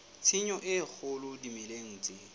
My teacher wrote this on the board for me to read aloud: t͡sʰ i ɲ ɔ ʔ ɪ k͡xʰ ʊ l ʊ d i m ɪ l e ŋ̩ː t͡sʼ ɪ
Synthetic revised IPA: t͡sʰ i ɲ ɔ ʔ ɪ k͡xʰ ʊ l ʊ d i m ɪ l e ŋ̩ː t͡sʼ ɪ